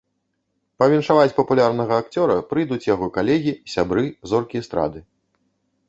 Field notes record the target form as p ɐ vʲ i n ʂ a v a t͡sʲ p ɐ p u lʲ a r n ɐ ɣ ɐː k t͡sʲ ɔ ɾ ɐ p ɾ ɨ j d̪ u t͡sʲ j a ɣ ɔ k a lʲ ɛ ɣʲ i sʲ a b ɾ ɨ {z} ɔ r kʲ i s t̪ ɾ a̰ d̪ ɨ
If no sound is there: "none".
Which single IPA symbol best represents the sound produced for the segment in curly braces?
z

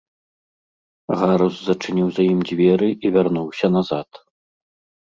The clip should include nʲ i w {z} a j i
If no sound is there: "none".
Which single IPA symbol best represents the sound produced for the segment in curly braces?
z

